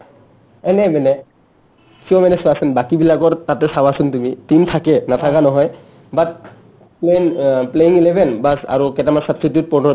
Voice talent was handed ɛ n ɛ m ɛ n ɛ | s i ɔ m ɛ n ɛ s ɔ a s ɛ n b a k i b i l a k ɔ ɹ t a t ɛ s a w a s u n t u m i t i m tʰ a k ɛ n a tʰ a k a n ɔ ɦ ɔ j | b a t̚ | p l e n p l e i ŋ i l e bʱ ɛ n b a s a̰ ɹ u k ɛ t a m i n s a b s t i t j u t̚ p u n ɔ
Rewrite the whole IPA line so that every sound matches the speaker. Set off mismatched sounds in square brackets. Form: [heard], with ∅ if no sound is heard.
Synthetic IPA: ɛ n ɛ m ɛ n ɛ | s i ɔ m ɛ n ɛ s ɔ a s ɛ n b a k i b i l a k ɔ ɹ t a t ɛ s a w a s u n t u m i t i m tʰ a k ɛ n a tʰ a k a n ɔ ɦ ɔ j | b a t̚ | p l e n p l e i ŋ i l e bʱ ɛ n b a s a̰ ɹ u k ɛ t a m [a] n s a b s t i t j u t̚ p [ɔ] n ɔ